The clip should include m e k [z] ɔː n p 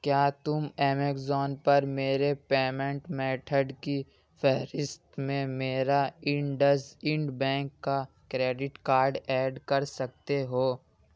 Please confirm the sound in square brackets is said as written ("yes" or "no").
yes